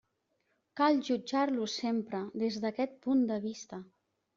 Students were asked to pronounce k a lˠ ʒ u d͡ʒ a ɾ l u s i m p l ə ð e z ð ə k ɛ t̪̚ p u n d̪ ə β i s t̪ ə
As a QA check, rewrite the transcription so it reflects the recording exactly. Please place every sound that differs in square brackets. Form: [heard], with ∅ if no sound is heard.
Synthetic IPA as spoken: k a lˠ ʒ u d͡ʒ a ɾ l u s [e] m p [ɾ] ə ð e z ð ə k ɛ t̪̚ p u n d̪ ə β i s t̪ ə